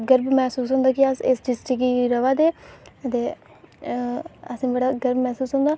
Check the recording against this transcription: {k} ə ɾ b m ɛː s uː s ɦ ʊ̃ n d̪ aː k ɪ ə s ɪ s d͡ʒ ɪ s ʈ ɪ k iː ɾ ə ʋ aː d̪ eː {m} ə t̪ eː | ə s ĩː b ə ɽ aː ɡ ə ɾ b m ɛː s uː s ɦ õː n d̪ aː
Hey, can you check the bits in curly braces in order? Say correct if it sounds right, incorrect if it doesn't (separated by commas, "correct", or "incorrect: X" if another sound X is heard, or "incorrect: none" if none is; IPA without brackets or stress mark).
incorrect: ɡ, incorrect: none